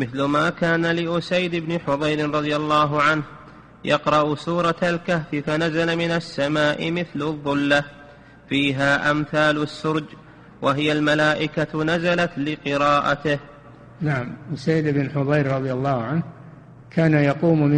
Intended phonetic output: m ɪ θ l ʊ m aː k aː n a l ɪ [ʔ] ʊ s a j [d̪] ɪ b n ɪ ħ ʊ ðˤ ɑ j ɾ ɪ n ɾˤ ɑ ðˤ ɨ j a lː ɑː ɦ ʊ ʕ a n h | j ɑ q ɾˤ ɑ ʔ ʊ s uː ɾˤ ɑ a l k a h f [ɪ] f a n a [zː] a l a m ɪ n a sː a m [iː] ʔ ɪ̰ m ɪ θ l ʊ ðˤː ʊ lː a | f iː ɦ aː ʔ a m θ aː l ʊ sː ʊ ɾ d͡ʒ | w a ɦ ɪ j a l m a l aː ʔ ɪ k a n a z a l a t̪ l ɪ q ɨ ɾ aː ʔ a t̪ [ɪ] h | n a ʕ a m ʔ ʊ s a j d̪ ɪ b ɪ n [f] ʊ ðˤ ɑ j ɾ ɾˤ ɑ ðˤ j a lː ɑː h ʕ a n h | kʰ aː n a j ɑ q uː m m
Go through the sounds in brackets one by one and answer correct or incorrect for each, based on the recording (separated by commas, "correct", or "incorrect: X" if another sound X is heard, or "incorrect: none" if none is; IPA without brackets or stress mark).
correct, correct, correct, incorrect: z, incorrect: aː, correct, incorrect: ħ